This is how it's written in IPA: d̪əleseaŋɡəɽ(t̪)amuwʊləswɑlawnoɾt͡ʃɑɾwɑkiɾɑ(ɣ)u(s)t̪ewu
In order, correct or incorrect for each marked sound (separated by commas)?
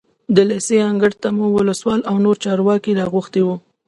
correct, correct, incorrect